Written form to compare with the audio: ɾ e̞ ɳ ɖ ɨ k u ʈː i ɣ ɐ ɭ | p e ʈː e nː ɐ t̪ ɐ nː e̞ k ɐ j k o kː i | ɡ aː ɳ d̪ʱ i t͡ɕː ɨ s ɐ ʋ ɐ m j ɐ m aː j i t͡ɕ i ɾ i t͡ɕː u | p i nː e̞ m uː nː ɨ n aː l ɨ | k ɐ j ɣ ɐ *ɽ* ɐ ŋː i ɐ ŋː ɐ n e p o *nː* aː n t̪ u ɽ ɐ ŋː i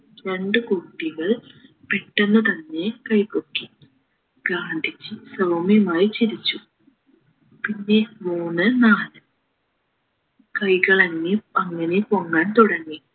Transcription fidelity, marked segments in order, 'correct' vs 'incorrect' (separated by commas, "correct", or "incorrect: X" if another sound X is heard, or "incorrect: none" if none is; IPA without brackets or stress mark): incorrect: ɭ, incorrect: ŋː